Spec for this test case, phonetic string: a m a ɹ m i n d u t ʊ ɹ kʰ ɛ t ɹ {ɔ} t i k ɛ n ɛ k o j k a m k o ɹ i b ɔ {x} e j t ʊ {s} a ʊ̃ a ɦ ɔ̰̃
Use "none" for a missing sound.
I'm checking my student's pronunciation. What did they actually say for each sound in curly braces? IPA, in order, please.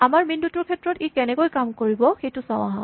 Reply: ɔ, x, s

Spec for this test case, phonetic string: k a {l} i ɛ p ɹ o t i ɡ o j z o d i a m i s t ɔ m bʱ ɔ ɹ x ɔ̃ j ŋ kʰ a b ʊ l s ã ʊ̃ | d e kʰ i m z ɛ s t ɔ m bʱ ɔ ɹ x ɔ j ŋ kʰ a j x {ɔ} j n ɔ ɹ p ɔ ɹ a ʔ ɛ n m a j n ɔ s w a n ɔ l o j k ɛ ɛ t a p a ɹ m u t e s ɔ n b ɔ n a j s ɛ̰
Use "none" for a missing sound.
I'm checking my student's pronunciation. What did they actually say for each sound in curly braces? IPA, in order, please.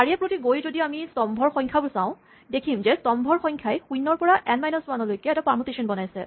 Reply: ɹ, u

